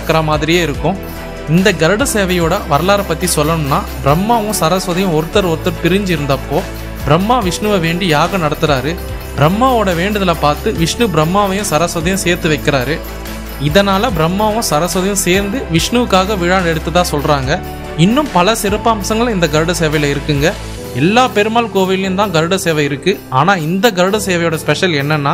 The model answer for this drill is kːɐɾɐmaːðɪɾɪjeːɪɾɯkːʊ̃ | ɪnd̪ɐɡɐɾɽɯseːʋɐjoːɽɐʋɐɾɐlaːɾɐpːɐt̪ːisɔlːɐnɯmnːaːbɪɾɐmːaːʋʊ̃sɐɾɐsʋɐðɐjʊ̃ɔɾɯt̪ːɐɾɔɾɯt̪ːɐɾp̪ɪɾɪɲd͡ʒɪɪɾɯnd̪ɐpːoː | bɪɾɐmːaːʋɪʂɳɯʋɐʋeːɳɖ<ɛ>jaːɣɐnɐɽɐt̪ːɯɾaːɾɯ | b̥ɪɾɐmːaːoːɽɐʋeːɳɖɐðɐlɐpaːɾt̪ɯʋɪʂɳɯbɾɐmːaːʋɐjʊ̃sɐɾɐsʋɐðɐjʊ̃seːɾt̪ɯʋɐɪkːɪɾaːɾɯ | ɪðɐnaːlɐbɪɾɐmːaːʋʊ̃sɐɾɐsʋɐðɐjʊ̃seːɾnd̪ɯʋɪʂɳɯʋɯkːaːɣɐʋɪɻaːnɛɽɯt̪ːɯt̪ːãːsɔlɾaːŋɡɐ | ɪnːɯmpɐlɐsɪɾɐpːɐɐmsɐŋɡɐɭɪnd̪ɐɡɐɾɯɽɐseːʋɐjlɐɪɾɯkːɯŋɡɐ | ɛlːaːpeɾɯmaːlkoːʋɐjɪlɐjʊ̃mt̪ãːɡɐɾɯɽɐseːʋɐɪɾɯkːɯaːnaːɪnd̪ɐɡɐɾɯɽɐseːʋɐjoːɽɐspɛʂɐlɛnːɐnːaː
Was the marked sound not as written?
yes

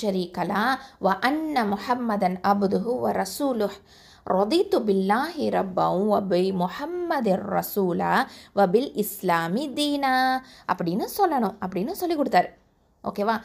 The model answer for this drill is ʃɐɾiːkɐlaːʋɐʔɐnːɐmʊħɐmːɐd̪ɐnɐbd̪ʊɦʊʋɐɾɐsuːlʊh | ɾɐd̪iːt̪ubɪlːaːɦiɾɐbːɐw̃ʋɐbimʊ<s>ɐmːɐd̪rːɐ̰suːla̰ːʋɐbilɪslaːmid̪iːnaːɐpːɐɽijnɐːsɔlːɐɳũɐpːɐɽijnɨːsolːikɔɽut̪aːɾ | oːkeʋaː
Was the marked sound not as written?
yes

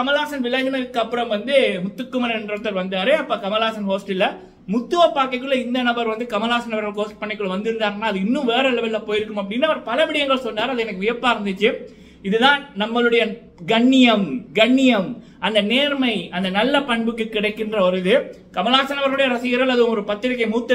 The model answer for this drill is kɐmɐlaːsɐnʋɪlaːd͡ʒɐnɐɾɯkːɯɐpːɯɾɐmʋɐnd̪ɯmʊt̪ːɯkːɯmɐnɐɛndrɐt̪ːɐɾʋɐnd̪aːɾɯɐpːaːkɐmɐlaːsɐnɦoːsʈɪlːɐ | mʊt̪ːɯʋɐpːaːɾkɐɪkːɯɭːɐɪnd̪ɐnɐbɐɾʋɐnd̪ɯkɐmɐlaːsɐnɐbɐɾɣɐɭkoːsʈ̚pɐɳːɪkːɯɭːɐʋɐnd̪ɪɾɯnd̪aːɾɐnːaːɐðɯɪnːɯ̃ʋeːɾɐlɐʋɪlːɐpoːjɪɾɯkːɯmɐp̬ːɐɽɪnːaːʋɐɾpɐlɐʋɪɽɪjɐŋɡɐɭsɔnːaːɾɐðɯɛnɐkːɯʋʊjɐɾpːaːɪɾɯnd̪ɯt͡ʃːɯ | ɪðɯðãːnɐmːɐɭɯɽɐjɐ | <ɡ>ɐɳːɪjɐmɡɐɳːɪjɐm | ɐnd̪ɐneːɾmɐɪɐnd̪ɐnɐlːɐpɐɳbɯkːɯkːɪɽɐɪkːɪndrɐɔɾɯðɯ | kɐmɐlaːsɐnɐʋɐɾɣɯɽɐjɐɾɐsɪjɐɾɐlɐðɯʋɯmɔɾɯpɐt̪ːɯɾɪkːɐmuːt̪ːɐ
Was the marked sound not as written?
no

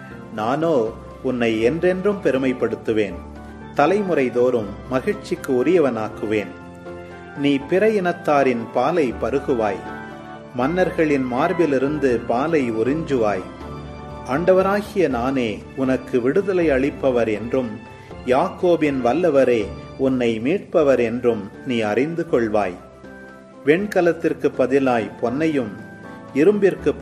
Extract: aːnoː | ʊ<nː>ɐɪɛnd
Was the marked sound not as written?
no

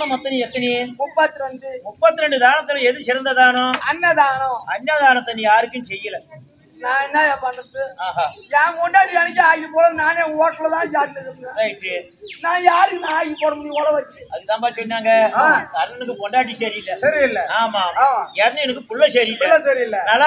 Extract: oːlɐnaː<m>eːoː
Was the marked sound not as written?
yes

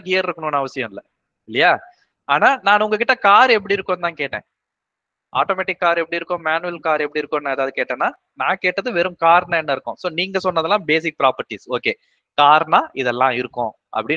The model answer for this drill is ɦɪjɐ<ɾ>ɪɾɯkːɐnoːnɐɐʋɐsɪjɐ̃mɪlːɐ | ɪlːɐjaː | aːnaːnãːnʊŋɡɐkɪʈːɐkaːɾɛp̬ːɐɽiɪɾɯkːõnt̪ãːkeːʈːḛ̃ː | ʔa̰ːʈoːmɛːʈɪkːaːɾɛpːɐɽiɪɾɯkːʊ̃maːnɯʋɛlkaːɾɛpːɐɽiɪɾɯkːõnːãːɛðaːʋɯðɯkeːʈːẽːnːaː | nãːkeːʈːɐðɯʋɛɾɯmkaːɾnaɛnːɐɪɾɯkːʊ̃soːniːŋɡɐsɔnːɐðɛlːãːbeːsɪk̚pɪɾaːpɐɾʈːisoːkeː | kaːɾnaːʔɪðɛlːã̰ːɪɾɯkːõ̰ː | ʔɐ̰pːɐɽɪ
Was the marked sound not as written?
no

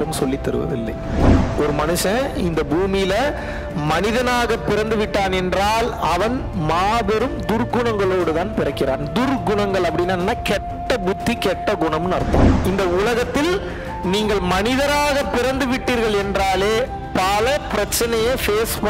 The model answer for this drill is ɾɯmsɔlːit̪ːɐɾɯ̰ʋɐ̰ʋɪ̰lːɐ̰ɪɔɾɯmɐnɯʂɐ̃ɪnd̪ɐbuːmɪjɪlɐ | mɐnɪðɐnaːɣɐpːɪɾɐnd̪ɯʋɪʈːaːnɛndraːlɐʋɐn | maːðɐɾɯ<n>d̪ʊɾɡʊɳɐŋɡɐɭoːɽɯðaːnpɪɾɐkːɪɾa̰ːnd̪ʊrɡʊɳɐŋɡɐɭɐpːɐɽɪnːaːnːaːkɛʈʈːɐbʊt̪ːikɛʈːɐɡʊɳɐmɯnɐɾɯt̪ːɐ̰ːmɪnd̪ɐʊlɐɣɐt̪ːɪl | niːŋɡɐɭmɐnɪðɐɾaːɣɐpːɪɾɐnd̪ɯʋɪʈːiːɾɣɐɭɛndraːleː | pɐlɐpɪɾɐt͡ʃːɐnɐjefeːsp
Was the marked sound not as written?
yes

